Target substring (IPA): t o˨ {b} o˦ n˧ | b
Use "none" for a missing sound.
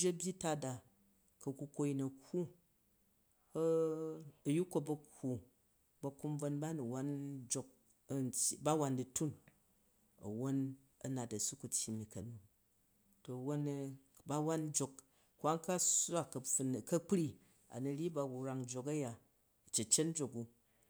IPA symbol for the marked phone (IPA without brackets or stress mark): w